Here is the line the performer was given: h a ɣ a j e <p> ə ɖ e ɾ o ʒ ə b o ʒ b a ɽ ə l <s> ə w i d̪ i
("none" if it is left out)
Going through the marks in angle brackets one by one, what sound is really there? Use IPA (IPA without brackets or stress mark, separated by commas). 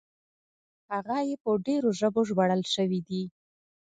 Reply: p, ʃ